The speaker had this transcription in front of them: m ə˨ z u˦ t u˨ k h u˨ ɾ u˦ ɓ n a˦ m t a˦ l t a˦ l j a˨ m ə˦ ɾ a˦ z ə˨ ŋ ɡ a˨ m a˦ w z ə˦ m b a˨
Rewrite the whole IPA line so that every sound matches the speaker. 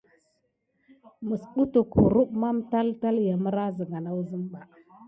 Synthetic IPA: m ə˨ s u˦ t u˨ k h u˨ ɾ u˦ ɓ m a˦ m t a˦ l t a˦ l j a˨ m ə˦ ɾ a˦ z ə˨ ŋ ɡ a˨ n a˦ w z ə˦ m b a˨